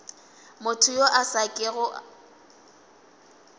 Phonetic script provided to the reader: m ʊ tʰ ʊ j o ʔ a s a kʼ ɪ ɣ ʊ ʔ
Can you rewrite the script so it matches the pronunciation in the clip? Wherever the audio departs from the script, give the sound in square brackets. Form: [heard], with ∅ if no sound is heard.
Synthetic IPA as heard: m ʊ tʰ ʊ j o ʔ a s a kʼ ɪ ɣ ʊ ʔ